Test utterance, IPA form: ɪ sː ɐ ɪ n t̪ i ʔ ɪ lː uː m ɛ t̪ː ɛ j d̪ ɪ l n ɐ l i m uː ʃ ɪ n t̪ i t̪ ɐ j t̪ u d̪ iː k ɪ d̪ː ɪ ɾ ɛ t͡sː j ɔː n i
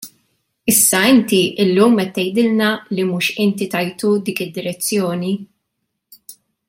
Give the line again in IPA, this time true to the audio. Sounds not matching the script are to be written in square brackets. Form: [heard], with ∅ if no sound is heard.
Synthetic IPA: ɪ sː ɐ ɪ n t̪ i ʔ ɪ lː uː m ɛ t̪ː ɛ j d̪ ɪ l n ɐ l i m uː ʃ ɪ n t̪ i t̪ ɐ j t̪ u d̪ iː k ɪ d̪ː ɪ ɾ ɛ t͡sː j ɔː n i